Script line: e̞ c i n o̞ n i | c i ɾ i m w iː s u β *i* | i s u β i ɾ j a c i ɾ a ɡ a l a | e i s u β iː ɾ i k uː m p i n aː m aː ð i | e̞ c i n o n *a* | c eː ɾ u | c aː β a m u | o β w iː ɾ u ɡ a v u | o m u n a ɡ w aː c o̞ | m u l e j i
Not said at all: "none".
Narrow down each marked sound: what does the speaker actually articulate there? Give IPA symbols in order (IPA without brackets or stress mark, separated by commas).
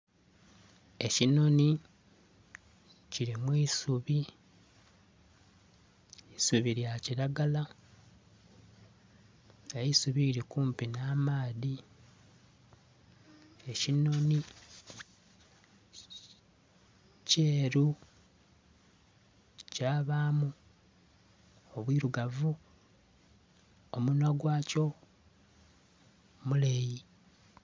i, i